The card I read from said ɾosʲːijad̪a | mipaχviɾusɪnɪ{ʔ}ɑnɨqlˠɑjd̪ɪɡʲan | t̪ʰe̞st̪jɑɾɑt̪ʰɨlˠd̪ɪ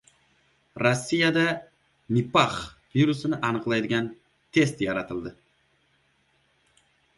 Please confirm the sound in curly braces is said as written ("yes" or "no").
yes